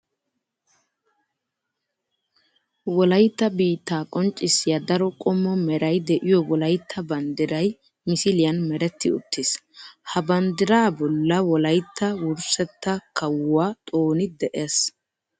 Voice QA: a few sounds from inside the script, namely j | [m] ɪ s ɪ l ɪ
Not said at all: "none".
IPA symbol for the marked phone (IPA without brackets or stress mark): m